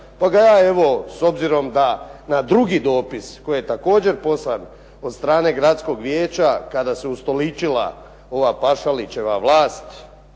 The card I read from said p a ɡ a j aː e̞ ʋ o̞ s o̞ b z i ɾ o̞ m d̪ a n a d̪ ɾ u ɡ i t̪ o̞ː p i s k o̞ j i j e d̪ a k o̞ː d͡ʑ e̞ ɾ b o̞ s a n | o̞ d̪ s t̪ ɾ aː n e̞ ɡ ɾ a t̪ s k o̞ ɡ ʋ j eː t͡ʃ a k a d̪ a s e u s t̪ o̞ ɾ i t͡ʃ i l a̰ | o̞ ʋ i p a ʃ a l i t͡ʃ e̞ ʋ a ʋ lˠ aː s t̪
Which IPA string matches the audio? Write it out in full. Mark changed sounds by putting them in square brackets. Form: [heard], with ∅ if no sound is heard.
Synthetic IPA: p a ɡ a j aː e̞ ʋ o̞ s o̞ b z i ɾ o̞ m d̪ a n a d̪ ɾ u ɡ i [d̪] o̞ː p i s k o̞ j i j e [t̪] a k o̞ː d͡ʑ e̞ ɾ [p] o̞ s a n | o̞ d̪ s t̪ ɾ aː n e̞ ɡ ɾ a t̪ s k o̞ ɡ ʋ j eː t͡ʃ a k a d̪ a s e u s t̪ o̞ [l] i t͡ʃ i l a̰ | o̞ ʋ [a] p a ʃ a l i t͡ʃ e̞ ʋ a ʋ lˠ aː s t̪

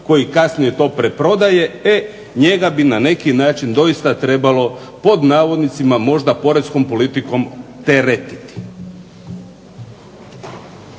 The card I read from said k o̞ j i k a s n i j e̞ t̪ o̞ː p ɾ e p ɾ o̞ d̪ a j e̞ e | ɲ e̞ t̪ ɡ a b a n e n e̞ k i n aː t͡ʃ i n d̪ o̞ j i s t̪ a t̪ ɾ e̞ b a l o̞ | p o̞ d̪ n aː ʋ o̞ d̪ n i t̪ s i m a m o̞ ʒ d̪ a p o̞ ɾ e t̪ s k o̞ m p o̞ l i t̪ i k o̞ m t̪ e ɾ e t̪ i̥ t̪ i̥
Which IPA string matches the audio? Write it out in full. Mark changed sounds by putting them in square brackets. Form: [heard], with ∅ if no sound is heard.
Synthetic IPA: k o̞ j i k a s n i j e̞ t̪ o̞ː p ɾ e p ɾ o̞ d̪ a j e̞ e | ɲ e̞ [∅] ɡ a b [i] n [a] n e̞ k i n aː t͡ʃ i n d̪ o̞ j i s t̪ a t̪ ɾ e̞ b a l o̞ | p o̞ d̪ n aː ʋ o̞ d̪ n i t̪ s i m a m o̞ ʒ d̪ a p o̞ ɾ e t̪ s k o̞ m p o̞ l i t̪ i k o̞ m t̪ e ɾ e t̪ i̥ t̪ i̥

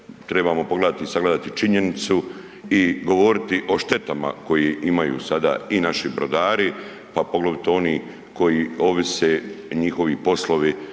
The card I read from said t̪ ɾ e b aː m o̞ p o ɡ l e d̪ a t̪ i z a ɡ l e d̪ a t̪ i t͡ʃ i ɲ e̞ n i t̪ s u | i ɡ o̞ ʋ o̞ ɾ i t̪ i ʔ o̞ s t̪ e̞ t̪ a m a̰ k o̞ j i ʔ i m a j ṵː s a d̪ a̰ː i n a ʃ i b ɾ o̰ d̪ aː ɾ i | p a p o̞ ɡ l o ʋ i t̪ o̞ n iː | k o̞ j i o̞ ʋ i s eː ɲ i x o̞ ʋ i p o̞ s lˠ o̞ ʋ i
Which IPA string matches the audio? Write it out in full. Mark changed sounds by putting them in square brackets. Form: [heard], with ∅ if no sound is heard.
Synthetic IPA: t̪ ɾ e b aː m o̞ p o ɡ l e d̪ a t̪ i [s] a ɡ l e d̪ a t̪ i t͡ʃ i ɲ e̞ n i t̪ s u | i ɡ o̞ ʋ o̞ ɾ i t̪ i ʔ o̞ [ʃ] t̪ e̞ t̪ a m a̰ k o̞ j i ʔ i m a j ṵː s a d̪ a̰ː i n a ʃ i b ɾ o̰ d̪ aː ɾ i | p a p o̞ ɡ l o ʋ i t̪ o̞ n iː | k o̞ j i o̞ ʋ i s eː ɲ i x o̞ ʋ i p o̞ s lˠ o̞ ʋ i

